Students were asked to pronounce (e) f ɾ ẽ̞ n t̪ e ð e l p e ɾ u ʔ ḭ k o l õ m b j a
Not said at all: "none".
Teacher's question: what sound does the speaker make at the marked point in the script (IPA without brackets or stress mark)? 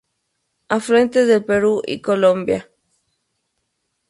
a